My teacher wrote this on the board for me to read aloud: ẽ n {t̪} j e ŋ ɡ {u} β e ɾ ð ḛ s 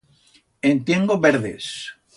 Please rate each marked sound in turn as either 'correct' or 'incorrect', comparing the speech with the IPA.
correct, incorrect: o

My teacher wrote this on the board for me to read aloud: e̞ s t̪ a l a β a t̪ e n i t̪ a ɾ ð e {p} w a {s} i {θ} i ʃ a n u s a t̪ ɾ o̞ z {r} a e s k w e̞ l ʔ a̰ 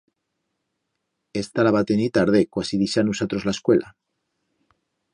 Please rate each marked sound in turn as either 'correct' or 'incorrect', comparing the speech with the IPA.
incorrect: k, correct, incorrect: ð, incorrect: l

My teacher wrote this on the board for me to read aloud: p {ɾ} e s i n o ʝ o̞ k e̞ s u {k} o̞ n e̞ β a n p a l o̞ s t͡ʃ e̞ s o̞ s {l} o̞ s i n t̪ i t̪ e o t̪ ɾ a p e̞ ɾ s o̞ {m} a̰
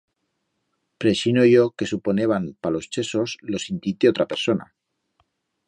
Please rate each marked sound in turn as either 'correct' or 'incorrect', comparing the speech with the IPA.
correct, incorrect: p, correct, incorrect: n

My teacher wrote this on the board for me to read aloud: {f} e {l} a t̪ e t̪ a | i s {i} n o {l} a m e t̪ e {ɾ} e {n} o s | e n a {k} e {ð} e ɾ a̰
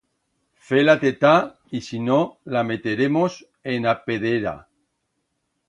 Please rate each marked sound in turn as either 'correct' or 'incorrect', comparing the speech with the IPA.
correct, correct, correct, correct, correct, incorrect: m, incorrect: p, correct

